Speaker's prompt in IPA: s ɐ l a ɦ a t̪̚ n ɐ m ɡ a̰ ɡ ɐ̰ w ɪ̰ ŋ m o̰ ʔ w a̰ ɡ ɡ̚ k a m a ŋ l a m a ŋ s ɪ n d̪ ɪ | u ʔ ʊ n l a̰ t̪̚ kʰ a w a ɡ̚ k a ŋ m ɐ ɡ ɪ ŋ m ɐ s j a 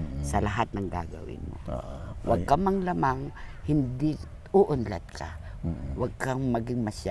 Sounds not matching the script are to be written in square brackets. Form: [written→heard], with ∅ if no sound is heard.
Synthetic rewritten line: s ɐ l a ɦ a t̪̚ n ɐ [m→ŋ] ɡ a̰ ɡ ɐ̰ w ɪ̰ [ŋ→n] m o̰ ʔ w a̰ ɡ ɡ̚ k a m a ŋ l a m a ŋ [s→h] ɪ n d̪ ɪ | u ʔ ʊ n l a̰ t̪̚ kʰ a w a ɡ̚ k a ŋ m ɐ ɡ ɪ ŋ m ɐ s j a